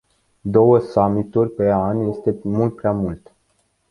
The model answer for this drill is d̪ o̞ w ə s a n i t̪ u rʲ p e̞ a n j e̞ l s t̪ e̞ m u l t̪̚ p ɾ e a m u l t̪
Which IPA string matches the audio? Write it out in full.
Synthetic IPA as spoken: d̪ o̞ w ə s a m i t̪ u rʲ p e̞ a n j e̞ s t̪ e̞ m u l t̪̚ p ɾ e a m u l t̪